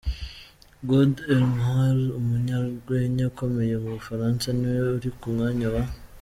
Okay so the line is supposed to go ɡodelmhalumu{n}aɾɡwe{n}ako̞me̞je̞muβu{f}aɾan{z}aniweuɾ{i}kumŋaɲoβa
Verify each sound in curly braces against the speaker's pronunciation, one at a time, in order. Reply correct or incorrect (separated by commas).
incorrect, incorrect, correct, incorrect, correct